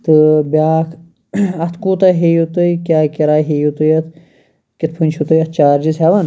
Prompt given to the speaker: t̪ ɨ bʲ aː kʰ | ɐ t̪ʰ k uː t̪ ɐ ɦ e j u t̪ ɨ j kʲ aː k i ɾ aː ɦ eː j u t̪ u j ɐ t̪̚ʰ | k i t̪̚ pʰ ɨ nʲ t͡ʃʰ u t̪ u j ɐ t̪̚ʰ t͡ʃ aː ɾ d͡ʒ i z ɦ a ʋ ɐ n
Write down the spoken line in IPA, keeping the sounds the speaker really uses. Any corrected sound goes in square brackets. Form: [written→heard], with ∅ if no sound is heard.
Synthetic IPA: t̪ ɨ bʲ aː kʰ | ɐ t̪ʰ k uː t̪ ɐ ɦ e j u t̪ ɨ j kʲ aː k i ɾ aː ɦ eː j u t̪ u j ɐ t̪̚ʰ | k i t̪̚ pʰ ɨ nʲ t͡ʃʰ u t̪ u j ɐ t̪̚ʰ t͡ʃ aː ɾ d͡ʒ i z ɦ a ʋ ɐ n